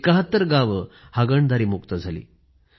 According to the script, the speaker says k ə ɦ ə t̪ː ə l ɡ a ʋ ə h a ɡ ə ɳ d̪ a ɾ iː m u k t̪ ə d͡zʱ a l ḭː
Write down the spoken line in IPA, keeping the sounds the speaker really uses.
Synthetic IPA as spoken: k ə ɦ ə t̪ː ə ɾ ɡ a ʋ ə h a ɡ ə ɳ d̪ a ɾ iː m u k t̪ ə d͡zʱ a l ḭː